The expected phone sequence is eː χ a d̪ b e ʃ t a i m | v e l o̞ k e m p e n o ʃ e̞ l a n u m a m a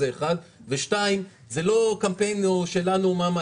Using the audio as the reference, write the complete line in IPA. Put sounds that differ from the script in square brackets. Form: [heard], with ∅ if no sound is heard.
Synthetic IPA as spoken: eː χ a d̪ [v] e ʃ t a i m | [z] e l o̞ k [a] m p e n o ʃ e̞ l a n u m a m a